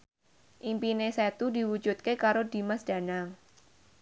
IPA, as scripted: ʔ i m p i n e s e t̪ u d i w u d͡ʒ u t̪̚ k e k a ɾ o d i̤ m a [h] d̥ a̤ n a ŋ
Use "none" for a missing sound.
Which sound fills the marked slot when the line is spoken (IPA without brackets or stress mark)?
s